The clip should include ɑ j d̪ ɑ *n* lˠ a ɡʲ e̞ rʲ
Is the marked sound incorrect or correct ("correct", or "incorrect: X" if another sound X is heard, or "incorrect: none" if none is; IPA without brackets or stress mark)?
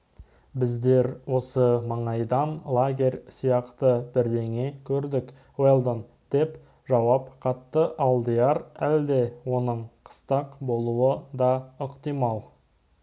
correct